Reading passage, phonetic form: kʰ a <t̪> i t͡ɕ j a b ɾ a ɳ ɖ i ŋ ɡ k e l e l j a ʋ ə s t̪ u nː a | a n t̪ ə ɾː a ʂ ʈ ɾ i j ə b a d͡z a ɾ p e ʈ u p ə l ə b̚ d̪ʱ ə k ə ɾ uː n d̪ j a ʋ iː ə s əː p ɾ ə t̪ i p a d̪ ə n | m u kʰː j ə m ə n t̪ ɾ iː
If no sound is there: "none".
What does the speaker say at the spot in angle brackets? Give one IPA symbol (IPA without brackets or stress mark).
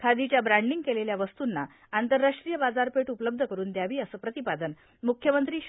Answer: d̪